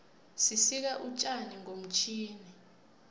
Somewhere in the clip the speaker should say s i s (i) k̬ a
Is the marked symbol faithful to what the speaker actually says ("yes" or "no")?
yes